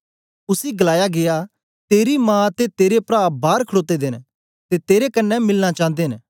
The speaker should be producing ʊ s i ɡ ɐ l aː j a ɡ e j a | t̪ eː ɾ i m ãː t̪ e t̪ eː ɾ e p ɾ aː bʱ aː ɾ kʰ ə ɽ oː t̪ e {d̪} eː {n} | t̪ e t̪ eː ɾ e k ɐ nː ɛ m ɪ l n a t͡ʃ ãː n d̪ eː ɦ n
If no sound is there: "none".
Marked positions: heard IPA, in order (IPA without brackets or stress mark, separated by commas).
d̪, n